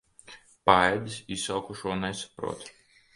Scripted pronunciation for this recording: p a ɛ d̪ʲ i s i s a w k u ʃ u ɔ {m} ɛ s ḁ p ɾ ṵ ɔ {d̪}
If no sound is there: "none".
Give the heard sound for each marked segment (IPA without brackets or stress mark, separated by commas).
n, t̪